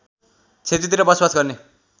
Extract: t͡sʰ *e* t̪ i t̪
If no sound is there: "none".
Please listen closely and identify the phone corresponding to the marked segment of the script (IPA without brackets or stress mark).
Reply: e